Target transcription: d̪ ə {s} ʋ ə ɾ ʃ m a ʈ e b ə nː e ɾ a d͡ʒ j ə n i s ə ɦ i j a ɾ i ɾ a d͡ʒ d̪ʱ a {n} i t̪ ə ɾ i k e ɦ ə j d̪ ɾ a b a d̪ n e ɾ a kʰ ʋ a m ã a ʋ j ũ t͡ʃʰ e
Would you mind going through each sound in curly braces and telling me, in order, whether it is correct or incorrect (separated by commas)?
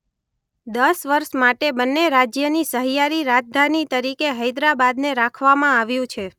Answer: correct, correct